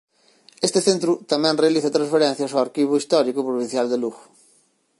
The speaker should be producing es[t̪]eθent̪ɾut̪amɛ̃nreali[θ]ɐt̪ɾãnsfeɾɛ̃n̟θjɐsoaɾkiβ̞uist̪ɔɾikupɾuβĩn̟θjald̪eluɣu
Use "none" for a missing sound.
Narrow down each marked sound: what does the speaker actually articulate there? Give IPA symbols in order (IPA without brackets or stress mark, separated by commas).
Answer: t̪, θ